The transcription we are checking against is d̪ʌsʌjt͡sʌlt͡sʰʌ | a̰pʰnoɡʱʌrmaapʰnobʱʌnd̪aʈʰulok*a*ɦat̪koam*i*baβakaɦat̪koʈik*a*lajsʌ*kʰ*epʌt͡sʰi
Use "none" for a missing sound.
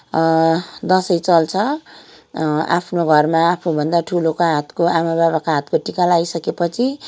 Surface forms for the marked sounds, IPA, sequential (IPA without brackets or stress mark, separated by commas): a, a, a, k